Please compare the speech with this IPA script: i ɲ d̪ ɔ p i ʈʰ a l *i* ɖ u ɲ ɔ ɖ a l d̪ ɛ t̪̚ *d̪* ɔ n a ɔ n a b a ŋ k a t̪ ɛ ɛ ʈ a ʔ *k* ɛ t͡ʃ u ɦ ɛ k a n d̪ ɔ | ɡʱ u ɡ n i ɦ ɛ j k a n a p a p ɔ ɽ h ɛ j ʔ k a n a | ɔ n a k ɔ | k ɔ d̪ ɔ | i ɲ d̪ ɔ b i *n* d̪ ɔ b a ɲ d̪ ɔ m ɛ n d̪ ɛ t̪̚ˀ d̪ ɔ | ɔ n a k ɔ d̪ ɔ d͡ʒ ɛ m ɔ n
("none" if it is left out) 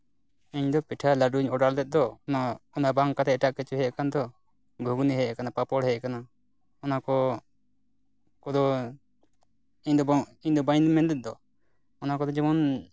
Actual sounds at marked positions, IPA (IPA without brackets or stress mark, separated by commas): a, d̪, k, ɲ